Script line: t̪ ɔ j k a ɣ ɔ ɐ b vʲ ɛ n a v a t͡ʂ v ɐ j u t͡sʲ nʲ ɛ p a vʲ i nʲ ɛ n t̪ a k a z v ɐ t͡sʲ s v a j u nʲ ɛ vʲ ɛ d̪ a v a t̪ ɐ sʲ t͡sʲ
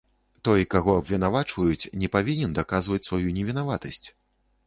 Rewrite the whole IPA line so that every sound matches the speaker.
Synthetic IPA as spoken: t̪ ɔ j k a ɣ ɔ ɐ b vʲ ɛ n a v a t͡ʂ v ɐ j u t͡sʲ nʲ ɛ p a vʲ i nʲ ɛ n d̪ a k a z v ɐ t͡sʲ s v a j u nʲ ɛ vʲ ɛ n̪ a v a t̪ ɐ sʲ t͡sʲ